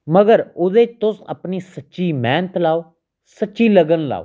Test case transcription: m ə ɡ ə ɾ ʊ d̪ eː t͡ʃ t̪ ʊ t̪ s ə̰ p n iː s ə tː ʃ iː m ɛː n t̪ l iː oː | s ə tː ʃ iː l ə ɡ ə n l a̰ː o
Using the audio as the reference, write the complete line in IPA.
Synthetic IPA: m ə ɡ ə ɾ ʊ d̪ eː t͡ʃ t̪ ʊ s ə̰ p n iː s ə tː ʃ iː m ɛː n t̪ l aː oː | s ə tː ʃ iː l ə ɡ ə n l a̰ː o